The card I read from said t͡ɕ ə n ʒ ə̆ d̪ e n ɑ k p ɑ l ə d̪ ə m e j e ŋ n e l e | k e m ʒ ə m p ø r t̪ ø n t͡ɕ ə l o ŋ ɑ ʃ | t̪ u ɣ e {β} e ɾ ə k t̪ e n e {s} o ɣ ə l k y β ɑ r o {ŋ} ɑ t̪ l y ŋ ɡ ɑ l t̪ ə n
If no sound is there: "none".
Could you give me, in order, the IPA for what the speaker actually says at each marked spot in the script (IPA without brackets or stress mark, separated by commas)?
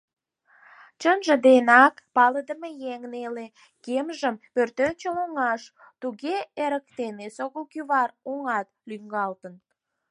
none, s, ŋ